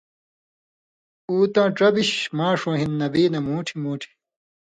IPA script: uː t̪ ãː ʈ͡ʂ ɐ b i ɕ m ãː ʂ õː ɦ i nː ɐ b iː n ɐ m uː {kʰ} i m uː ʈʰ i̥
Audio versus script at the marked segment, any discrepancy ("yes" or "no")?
yes